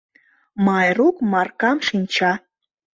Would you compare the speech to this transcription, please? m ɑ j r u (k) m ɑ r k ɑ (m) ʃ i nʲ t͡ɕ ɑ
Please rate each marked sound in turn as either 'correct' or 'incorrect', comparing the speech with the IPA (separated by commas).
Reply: correct, correct